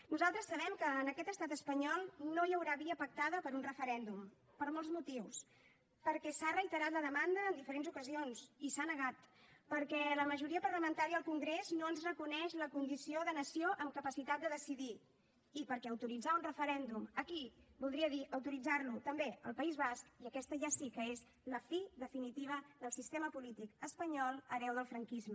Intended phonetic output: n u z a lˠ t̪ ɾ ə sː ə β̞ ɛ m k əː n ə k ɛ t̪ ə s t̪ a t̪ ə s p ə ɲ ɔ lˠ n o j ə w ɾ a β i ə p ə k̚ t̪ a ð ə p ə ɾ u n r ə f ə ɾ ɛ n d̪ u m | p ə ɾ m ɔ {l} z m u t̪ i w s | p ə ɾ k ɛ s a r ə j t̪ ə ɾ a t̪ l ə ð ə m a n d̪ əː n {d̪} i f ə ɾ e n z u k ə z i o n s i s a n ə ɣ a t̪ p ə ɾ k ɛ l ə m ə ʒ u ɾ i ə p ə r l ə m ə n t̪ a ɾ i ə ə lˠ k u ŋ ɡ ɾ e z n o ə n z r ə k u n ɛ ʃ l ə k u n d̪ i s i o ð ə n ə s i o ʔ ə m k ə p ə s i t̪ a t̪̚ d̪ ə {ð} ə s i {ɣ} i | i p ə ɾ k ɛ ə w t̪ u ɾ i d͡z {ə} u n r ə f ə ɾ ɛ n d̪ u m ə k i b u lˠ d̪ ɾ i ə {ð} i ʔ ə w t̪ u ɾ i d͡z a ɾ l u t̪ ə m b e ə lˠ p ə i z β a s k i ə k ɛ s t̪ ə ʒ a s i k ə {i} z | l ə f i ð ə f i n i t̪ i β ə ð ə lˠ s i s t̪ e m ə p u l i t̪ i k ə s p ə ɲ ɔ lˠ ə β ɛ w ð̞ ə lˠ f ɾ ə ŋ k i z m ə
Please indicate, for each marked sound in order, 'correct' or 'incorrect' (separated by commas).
correct, correct, correct, incorrect, incorrect, correct, incorrect